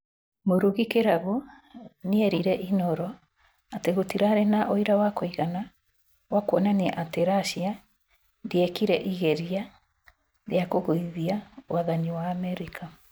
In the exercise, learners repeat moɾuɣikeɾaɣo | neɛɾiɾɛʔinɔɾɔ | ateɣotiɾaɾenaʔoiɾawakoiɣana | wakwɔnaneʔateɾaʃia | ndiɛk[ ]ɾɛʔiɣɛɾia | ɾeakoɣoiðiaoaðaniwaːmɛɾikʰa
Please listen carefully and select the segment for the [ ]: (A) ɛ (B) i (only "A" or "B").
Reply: B